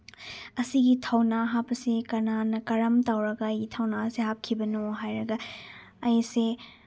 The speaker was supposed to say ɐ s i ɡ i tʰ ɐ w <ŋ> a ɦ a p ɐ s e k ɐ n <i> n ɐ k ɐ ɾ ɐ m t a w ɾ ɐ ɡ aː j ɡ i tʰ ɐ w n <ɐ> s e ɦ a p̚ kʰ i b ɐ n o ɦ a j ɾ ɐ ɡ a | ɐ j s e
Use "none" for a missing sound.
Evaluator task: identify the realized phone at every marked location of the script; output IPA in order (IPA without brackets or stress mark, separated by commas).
n, a, a